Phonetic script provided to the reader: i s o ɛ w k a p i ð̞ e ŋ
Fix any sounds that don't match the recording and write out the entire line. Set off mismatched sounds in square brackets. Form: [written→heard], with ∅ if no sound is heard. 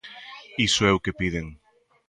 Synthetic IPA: i s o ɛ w k [a→e] p i ð̞ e ŋ